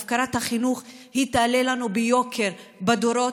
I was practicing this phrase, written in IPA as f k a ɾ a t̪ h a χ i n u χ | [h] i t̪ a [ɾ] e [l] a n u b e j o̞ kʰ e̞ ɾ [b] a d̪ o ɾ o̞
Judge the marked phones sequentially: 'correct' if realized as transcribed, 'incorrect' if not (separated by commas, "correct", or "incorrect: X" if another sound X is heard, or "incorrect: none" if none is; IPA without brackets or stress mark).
correct, incorrect: l, correct, correct